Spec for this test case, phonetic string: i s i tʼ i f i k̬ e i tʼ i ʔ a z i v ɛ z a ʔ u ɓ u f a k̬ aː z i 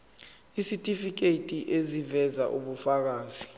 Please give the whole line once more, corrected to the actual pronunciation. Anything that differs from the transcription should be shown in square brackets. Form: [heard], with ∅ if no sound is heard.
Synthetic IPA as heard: i s i tʼ i f i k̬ e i tʼ i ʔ [e] z i v ɛ z a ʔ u ɓ u f a k̬ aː z i